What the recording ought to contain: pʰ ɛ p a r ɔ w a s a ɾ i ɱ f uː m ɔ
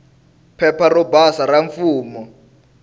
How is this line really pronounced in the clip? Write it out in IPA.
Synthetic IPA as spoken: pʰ ɛ p a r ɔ b a s a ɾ a ɱ f uː m ɔ

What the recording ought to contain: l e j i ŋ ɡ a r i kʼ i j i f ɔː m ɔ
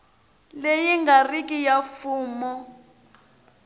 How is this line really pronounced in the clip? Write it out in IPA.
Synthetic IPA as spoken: l e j i ŋ ɡ a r i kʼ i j a f uː m ɔ

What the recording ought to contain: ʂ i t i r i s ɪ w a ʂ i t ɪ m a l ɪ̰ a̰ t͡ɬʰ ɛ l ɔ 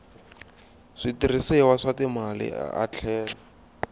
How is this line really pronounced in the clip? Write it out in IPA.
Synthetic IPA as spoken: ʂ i t i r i s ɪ w a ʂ a t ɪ m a l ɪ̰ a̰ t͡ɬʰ ɛː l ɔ

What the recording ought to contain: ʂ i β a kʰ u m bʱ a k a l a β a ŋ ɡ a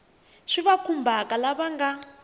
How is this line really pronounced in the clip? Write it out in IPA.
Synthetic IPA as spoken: ʂ i β a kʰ u m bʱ a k a l a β a ŋ ɡ a

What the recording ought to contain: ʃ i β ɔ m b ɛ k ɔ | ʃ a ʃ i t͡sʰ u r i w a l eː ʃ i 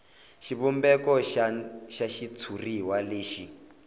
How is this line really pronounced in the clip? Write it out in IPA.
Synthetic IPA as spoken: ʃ i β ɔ m b ɛ k ɔ | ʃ a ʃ i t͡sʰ u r i w a l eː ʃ i

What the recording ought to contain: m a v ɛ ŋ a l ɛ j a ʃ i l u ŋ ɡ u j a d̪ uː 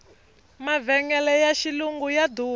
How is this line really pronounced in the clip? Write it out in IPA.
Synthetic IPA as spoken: m a v ɛ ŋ ɛ l ɛ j a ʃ i l u ŋ ɡ u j a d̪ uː

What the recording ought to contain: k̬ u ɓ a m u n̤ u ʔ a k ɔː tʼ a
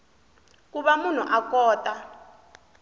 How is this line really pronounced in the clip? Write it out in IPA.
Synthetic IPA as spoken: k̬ u ɓ a m u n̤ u ʔ a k ɔː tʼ a

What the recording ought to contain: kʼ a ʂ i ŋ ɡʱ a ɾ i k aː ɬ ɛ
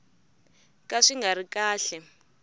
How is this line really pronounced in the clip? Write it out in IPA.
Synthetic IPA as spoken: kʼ a ʂ i ŋ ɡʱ a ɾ i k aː ɬ ɛ

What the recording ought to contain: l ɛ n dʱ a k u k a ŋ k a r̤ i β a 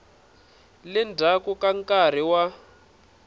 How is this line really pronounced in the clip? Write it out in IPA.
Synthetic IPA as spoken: l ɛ n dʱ a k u k a ŋ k a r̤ i w a

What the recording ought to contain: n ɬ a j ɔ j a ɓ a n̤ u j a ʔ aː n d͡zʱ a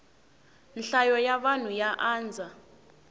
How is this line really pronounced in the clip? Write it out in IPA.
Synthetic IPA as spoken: n ɬ a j ɔ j a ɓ a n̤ u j a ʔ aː n d͡zʱ a

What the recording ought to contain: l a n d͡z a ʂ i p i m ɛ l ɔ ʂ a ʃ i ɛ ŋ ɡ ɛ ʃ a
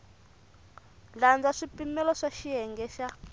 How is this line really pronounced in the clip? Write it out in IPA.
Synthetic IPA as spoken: l a n d͡z a ʂ i p i m ɛ l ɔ ʂ a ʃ i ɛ ŋ ɡ ɛ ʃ a

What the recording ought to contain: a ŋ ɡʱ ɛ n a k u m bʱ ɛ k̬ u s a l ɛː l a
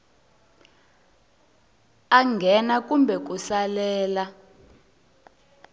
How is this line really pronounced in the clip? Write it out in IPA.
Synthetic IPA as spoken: a ŋ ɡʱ ɛ n a k u m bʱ ɛ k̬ u s a l ɛː l a

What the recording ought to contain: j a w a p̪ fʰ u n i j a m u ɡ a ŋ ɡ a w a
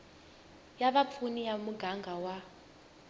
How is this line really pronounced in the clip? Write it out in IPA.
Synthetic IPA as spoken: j a β a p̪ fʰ u n i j a m u ɡ a ŋ ɡ a w a

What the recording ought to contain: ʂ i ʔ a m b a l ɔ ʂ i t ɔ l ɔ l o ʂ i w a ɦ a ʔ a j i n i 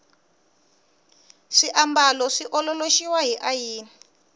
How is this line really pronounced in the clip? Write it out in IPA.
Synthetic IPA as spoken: ʂ i ʔ a m b a l ɔ ʂ i ʔ ɔ l ɔ l o ʃ i w a ɦ i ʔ a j iː n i

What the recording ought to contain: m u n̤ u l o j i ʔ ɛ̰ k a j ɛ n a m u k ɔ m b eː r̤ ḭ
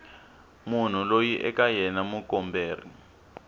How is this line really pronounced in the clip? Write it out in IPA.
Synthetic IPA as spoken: m u n̤ u l o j i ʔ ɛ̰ k a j ɛ n a m u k ɔ m b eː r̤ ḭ

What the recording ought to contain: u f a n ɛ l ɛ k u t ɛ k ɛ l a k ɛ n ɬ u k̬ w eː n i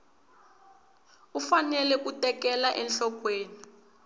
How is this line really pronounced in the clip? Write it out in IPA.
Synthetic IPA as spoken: u f a n ɛ l ɛ k u t ɛ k ɛ l a ʔ ɛ n ɬ ɔ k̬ w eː n i

